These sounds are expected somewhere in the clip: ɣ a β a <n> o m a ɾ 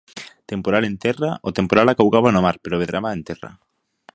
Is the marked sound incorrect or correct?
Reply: correct